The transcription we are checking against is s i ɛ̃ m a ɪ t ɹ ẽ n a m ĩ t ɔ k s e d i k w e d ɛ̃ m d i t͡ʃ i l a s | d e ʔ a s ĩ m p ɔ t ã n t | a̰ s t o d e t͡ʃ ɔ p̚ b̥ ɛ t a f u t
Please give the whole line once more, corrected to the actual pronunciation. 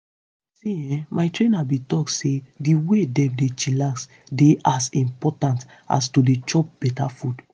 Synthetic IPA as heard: s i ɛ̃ m a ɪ t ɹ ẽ n a b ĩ t ɔ k s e d i w e d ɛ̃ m d e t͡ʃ i l a s | d e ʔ a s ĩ m p ɔ t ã n t | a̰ s t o d e t͡ʃ ɔ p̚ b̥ ɛ t a f u d